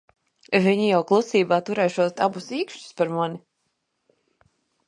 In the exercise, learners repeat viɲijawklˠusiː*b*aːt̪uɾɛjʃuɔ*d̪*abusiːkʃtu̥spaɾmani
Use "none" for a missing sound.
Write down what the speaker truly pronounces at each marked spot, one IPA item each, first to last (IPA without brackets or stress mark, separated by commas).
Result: b, t̪